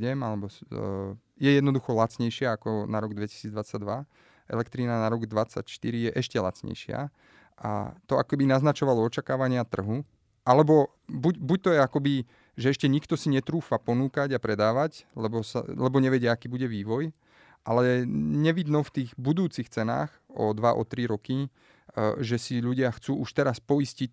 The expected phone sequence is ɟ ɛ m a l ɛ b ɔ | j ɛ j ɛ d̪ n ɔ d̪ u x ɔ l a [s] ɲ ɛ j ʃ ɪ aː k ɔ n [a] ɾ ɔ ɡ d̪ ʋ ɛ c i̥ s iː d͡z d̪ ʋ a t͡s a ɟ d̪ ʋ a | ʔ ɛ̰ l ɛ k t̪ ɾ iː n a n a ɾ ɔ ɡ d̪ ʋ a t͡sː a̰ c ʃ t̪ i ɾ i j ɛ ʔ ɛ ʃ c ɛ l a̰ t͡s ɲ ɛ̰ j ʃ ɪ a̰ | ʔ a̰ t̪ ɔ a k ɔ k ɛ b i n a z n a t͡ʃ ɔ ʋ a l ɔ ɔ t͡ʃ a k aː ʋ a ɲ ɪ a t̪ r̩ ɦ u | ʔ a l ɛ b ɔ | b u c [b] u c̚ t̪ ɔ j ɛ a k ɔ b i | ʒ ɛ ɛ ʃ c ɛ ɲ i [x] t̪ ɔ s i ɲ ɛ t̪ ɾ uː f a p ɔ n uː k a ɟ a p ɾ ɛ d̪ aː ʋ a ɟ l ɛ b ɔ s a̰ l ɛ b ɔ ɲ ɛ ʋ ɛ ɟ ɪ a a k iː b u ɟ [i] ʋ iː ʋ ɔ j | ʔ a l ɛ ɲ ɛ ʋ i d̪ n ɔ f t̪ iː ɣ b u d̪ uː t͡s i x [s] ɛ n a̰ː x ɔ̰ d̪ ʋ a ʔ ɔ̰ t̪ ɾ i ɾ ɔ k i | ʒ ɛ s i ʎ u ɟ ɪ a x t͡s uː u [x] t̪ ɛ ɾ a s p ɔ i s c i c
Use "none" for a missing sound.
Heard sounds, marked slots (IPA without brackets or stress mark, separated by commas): t͡s, a, b, k, ɛ, t͡s, ʃ